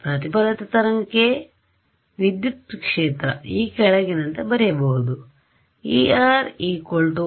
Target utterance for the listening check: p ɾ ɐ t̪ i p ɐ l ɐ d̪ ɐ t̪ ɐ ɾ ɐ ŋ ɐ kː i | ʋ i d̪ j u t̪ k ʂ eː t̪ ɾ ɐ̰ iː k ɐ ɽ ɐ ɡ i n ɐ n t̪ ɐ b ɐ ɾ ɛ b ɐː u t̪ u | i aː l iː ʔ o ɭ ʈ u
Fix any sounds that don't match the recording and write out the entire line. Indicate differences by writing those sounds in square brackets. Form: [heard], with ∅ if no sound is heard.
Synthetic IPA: p ɾ ɐ t̪ i p ɐ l ɐ [t̪] ɐ t̪ ɐ ɾ ɐ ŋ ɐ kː [e] | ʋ i d̪ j u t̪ k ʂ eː t̪ ɾ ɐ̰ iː k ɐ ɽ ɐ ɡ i n ɐ n t̪ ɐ b ɐ ɾ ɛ b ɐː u [d̪] u | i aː [ɾ] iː [k] o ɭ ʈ u